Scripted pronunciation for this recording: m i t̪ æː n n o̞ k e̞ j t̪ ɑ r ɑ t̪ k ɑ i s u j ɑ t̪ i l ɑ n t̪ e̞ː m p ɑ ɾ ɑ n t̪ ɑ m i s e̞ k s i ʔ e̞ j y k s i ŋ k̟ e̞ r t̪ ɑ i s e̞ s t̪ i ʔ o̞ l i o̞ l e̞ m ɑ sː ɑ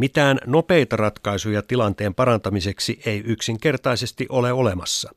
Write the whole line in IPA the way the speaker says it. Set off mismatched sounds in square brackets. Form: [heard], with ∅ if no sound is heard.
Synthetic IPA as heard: m i t̪ æː n n o̞ [p] e̞ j t̪ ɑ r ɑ t̪ k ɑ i s u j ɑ t̪ i l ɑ n t̪ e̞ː m p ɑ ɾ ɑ n t̪ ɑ m i s e̞ k s i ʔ e̞ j y k s i ŋ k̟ e̞ r t̪ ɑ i s e̞ s t̪ i ʔ o̞ l [e] o̞ l e̞ m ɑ sː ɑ